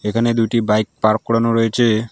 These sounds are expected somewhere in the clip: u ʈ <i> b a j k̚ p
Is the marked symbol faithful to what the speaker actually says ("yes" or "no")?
yes